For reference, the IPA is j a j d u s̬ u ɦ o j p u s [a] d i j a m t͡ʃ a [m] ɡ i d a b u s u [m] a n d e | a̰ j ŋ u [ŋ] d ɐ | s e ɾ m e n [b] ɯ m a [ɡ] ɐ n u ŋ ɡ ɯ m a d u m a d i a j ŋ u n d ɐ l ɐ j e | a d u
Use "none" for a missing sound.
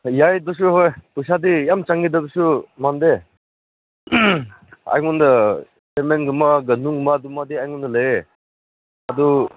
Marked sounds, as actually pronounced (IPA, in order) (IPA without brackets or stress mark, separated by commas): a, ŋ, m, n, ɡ, ɡ